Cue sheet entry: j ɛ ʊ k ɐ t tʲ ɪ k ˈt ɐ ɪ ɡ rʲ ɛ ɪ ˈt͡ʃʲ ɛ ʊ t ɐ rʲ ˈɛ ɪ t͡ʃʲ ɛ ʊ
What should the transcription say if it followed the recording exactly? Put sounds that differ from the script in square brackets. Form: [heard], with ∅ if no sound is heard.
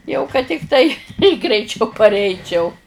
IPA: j ɛ ʊ k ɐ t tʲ ɪ k ˈt ɐ ɪ ɡ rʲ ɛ ɪ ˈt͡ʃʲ ɛ ʊ [p] ɐ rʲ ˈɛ ɪ t͡ʃʲ ɛ ʊ